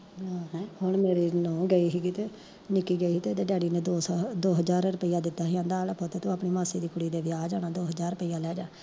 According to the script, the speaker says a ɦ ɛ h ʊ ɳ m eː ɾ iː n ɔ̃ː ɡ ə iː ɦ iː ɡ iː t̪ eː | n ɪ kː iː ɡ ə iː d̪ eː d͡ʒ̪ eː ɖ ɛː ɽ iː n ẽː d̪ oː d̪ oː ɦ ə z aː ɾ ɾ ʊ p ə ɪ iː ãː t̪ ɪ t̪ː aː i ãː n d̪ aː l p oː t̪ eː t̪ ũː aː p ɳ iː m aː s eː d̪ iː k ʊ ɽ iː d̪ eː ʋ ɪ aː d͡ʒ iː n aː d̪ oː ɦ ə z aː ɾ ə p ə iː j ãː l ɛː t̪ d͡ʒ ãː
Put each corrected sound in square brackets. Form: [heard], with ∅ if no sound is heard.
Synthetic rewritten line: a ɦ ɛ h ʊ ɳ m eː ɾ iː n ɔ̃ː ɡ ə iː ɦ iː ɡ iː t̪ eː | n ɪ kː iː ɡ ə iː [t̪] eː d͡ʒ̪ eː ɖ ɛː ɽ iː n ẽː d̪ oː d̪ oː ɦ ə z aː ɾ ɾ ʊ p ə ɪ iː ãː [d̪] ɪ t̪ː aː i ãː n d̪ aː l p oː t̪ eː t̪ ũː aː p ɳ iː m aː s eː d̪ iː k ʊ ɽ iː d̪ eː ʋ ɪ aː d͡ʒ [aː] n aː d̪ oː ɦ ə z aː ɾ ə p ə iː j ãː l ɛː [∅] d͡ʒ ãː

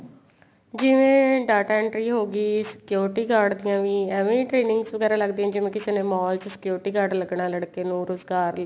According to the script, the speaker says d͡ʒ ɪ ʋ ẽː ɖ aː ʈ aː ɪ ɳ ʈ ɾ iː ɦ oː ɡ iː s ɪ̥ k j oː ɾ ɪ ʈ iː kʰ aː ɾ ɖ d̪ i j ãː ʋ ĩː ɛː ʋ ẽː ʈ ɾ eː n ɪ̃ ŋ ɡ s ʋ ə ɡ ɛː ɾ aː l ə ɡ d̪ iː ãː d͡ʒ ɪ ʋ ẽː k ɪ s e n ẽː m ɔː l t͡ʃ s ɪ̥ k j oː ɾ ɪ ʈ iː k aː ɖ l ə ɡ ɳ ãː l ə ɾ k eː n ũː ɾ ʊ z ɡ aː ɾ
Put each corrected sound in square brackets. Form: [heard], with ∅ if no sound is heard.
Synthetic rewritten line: d͡ʒ ɪ ʋ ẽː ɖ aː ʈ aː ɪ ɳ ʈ ɾ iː ɦ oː ɡ iː s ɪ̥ k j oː ɾ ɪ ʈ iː [k] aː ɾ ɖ d̪ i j ãː ʋ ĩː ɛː ʋ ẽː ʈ ɾ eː n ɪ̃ ŋ ɡ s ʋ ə ɡ ɛː ɾ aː l ə ɡ d̪ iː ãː d͡ʒ ɪ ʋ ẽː k ɪ s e n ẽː m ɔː l t͡ʃ s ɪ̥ k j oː ɾ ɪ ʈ iː k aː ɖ l ə ɡ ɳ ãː l ə [ɽ] k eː n ũː ɾ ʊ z ɡ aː ɾ

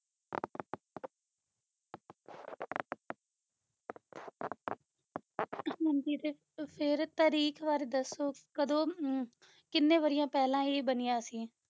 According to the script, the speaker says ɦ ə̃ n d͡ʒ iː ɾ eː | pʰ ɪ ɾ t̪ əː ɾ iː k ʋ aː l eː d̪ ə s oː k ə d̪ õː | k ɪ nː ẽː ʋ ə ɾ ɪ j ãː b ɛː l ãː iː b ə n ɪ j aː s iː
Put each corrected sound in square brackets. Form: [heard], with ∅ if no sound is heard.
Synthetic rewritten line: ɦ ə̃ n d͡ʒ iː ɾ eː | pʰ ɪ ɾ t̪ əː ɾ iː k ʋ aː [ɾ] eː d̪ ə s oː k ə d̪ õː | k ɪ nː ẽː ʋ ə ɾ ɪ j ãː [p] ɛː l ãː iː b ə n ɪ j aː s iː

